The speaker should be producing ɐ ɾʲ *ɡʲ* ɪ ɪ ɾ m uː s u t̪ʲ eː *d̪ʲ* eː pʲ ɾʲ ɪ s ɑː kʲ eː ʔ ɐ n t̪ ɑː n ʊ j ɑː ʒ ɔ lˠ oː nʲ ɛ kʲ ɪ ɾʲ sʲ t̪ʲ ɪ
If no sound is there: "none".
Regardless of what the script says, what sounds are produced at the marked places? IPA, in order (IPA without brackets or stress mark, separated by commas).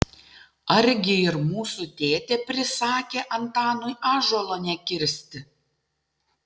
ɡʲ, t̪ʲ